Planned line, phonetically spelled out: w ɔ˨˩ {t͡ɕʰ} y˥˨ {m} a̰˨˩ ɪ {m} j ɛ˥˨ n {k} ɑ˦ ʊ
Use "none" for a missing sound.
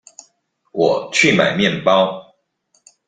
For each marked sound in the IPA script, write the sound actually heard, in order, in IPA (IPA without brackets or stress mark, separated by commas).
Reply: t͡ɕʰ, m, m, p